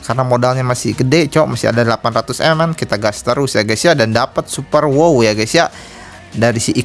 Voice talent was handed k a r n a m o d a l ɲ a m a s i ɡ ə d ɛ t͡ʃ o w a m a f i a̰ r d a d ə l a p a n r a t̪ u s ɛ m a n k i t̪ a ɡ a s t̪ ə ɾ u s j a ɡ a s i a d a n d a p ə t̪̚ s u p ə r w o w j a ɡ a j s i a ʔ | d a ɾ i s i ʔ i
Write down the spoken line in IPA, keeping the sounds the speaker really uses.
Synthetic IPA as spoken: k a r n a m o d a l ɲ a m a s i ɡ ə d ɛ t͡ʃ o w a m a s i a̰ d a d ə l a p a n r a t̪ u s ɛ m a n k i t̪ a ɡ a s t̪ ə ɾ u s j a ɡ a s i a d a n d a p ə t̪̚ s u p ə r w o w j a ɡ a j s i a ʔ | d a ɾ i s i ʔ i